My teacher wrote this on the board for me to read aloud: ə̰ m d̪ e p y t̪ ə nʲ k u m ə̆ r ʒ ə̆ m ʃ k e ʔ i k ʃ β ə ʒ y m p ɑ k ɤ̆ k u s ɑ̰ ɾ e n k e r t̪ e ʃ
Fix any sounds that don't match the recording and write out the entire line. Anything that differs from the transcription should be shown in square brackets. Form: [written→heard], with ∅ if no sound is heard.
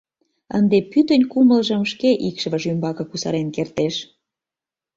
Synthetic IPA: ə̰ [m→n] d̪ e p y t̪ ə nʲ k u m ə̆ [r→l] ʒ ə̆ m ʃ k e ʔ i k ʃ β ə ʒ y m [p→b] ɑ k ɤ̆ k u s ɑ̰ ɾ e n k e r t̪ e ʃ